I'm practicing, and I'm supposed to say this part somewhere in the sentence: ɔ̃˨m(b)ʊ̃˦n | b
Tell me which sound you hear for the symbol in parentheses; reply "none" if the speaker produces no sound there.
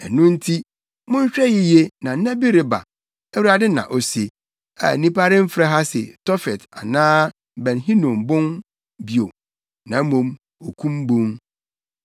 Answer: b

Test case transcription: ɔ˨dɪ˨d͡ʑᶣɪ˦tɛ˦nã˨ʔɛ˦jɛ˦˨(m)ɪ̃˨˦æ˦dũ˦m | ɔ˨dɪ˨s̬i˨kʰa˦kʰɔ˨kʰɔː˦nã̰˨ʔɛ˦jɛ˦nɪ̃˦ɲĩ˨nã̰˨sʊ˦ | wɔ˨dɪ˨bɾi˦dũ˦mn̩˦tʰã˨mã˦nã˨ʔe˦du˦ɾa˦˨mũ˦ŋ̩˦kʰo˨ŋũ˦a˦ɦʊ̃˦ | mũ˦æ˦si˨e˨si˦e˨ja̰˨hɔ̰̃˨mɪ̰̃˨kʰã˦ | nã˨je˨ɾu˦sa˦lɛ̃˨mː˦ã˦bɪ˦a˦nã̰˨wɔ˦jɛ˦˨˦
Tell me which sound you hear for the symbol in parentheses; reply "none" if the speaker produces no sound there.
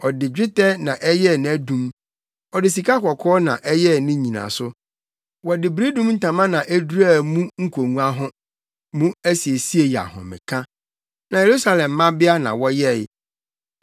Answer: n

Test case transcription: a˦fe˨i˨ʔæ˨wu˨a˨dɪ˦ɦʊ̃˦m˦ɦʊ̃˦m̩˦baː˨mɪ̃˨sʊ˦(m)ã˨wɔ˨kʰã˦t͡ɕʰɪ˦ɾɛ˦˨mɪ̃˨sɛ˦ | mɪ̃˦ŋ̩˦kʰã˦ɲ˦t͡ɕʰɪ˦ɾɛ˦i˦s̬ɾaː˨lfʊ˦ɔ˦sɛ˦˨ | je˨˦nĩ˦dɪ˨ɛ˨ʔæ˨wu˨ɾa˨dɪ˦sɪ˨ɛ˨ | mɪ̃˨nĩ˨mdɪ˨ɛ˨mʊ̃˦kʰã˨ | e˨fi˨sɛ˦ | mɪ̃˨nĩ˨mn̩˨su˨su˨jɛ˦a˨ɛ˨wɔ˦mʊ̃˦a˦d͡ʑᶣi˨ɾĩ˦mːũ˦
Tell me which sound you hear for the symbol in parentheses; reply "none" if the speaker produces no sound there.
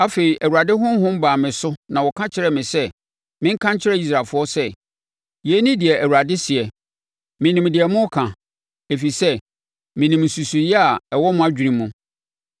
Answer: n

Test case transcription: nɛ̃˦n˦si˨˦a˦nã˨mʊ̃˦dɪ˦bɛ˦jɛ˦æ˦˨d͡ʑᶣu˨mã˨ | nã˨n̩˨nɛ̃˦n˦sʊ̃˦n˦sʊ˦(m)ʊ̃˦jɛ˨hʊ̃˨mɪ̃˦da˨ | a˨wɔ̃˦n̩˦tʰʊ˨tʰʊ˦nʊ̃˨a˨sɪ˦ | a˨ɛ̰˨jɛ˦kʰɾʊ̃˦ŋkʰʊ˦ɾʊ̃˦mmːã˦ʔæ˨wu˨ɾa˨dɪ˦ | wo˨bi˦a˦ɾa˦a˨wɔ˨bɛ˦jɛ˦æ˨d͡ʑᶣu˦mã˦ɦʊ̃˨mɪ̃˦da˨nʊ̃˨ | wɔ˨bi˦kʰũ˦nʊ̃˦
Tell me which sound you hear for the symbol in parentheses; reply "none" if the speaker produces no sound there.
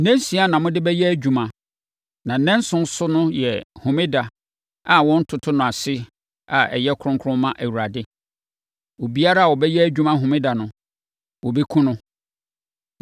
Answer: n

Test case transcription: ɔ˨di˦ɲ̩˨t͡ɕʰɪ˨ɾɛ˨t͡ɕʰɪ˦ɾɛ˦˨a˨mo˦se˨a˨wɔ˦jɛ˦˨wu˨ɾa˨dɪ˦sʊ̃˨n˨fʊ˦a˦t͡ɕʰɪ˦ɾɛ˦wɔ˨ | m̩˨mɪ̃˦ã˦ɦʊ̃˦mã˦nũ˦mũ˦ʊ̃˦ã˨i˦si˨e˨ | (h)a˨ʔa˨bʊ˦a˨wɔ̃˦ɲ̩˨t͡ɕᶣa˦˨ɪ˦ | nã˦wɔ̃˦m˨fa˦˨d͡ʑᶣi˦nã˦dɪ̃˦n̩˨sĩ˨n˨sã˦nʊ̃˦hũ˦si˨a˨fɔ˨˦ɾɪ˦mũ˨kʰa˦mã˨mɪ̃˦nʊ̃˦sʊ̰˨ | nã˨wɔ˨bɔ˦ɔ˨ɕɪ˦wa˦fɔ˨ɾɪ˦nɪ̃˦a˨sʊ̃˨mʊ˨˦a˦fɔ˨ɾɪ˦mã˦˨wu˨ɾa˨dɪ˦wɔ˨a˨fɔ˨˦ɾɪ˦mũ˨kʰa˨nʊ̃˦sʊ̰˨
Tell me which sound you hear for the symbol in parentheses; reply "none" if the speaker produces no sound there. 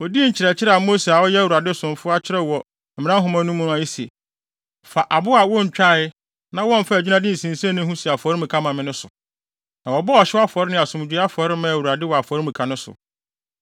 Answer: f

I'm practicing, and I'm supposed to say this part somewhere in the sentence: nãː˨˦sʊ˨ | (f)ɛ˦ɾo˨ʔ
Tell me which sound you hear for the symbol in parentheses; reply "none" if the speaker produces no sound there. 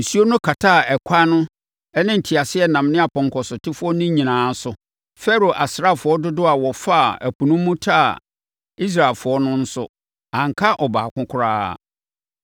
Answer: f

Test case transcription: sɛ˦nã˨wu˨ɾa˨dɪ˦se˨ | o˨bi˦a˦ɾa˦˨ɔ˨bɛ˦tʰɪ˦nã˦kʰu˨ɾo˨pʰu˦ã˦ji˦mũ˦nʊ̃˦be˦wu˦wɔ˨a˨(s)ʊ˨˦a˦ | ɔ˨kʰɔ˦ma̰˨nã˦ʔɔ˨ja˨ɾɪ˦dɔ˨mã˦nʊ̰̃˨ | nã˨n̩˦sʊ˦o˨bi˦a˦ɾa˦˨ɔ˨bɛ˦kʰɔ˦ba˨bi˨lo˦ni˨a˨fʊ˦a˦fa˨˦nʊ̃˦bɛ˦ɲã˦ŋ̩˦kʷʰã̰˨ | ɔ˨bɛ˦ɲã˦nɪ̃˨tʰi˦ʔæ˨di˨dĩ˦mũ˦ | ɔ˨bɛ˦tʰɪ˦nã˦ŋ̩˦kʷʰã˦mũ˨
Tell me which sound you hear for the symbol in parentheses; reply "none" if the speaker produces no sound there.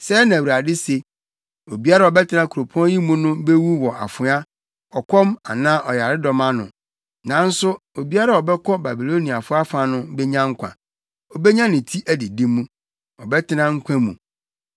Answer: f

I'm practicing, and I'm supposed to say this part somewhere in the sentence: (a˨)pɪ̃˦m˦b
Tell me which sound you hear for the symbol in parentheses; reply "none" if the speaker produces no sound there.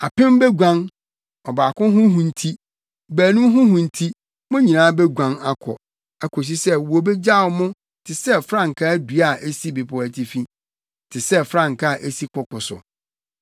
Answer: a˨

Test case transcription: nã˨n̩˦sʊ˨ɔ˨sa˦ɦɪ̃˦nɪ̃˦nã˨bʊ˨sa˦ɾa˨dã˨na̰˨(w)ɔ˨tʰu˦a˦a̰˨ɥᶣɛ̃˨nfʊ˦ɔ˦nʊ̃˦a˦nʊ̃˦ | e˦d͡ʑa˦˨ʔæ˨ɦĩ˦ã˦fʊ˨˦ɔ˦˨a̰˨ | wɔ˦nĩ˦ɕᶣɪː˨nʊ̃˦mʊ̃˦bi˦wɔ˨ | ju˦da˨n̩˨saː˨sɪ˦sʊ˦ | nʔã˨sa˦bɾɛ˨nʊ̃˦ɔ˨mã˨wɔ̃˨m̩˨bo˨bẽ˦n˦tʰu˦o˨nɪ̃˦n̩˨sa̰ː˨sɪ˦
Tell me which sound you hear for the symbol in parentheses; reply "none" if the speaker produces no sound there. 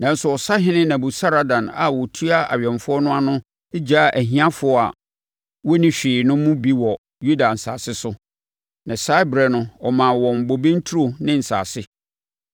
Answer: w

